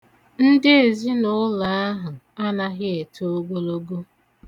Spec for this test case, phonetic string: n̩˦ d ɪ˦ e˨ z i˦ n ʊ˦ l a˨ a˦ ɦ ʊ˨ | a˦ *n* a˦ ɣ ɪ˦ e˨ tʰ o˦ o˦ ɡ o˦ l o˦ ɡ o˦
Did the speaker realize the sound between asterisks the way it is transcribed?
yes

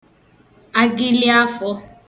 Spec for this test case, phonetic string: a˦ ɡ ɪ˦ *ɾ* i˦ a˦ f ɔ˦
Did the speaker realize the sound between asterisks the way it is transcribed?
no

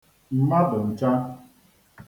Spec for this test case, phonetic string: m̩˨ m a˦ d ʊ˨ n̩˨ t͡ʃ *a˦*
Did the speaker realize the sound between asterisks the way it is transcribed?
yes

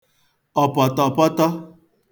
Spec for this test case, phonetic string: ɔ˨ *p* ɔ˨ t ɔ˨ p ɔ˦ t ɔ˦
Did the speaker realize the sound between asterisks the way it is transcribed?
yes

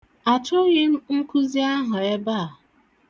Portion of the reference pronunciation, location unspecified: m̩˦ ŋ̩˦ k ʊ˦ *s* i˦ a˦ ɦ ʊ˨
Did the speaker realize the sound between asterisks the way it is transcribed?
no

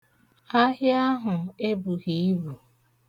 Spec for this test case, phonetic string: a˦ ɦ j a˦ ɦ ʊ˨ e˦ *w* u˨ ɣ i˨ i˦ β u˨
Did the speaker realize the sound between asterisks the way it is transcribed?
no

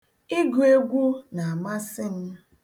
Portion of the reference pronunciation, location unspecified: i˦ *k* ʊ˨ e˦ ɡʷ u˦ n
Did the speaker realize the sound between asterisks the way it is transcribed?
no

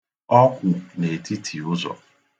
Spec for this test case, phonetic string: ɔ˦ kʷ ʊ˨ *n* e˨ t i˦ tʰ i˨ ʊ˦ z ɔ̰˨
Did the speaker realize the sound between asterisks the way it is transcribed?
yes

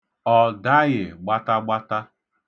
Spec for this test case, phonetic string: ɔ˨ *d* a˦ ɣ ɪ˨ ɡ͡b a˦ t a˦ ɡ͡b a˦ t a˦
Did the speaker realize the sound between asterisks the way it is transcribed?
yes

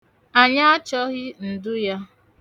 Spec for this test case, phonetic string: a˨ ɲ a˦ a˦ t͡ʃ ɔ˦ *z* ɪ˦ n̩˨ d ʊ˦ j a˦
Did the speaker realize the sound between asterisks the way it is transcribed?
no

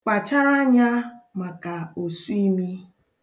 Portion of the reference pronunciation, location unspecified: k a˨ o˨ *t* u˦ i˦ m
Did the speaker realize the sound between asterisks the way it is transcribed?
no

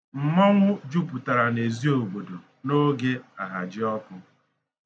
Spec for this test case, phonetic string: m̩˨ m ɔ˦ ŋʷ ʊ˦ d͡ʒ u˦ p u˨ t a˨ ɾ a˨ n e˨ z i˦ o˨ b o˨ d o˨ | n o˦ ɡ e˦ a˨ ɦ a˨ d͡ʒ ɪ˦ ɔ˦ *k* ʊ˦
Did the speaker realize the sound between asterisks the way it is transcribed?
yes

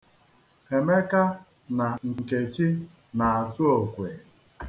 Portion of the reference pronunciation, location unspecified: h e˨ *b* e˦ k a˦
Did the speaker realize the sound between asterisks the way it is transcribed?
no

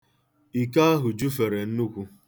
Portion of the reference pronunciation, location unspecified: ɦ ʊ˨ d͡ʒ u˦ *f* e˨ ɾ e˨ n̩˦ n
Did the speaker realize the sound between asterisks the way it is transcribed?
yes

